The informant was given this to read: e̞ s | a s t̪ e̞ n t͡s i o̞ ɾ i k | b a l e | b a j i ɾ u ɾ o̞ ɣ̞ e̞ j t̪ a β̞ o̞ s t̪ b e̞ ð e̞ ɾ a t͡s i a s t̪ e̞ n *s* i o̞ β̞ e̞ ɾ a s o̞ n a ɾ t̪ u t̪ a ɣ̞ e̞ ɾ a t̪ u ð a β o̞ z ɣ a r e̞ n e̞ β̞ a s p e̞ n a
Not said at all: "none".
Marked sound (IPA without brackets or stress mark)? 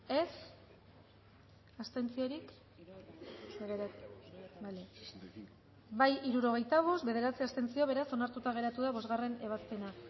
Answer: t͡s